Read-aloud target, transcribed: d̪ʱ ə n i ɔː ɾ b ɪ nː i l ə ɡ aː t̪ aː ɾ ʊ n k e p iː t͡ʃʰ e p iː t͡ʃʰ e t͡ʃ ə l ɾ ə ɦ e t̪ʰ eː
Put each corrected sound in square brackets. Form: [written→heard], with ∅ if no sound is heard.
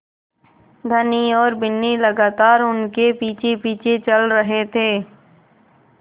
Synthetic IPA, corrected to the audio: d̪ʱ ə n i ɔː ɾ b ɪ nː i l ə ɡ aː t̪ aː ɾ ʊ n k e p iː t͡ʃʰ e p iː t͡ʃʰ e t͡ʃ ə l ɾ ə ɦ e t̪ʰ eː